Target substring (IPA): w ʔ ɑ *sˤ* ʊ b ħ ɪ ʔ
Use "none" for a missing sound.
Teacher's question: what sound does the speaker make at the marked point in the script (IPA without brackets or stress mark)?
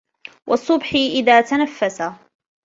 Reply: sˤː